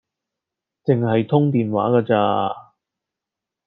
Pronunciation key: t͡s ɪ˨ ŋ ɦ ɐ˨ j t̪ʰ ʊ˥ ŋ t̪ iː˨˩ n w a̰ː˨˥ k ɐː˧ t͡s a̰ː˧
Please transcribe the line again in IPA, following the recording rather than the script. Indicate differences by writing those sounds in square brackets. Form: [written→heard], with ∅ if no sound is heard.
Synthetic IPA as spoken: t͡s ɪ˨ ŋ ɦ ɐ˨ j t̪ʰ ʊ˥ ŋ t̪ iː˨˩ n w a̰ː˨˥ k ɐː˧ t͡s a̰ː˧